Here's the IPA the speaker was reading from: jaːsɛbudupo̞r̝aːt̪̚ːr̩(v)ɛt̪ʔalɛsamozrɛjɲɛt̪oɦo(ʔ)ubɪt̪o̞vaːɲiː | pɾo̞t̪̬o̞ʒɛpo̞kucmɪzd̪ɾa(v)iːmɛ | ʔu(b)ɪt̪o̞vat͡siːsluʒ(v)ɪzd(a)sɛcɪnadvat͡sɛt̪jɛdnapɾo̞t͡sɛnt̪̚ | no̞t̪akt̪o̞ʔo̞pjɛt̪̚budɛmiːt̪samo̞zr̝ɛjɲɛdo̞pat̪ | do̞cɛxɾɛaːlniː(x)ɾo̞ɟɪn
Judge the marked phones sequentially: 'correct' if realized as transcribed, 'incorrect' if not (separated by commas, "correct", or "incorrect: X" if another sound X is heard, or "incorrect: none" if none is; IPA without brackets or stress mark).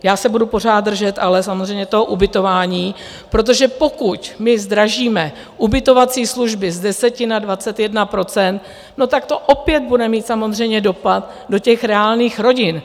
incorrect: ʒ, correct, incorrect: ʒ, correct, incorrect: b, incorrect: ɛ, correct